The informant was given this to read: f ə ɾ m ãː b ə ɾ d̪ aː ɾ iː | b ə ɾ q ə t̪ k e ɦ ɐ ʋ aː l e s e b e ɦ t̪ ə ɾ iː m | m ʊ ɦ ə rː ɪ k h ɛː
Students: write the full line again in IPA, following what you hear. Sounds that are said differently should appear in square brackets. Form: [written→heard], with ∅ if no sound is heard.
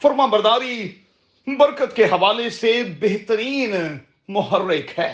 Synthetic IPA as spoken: f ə ɾ m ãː b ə ɾ d̪ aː ɾ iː | b ə ɾ [q→k] ə t̪ k e ɦ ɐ ʋ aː l e s e b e ɦ t̪ ə ɾ iː [m→n] | m ʊ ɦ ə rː ɪ k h ɛː